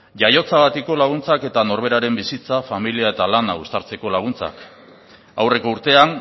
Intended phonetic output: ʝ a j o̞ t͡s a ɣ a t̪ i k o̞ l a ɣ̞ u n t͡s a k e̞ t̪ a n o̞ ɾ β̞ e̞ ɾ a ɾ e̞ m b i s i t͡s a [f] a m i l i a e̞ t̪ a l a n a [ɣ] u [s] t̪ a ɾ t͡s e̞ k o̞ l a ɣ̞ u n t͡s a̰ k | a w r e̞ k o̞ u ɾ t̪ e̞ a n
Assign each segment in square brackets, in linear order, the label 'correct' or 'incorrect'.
correct, correct, correct

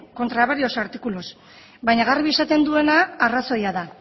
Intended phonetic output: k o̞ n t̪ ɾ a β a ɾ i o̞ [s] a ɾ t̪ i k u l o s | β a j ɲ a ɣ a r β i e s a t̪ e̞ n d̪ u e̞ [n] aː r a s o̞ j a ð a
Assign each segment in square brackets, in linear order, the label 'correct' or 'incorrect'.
correct, correct

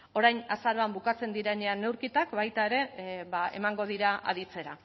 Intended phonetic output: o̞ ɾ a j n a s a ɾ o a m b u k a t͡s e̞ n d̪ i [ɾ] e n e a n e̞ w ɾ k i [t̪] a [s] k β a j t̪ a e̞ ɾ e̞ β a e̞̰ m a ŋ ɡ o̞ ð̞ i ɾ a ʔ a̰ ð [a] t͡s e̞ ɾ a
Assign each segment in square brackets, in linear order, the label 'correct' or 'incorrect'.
correct, correct, incorrect, incorrect

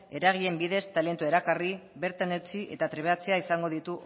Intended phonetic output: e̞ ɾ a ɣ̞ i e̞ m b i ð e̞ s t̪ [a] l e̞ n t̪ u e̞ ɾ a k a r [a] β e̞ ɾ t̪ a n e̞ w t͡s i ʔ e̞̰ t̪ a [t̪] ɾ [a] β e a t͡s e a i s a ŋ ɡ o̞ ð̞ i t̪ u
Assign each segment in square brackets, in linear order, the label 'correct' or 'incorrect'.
correct, incorrect, correct, incorrect

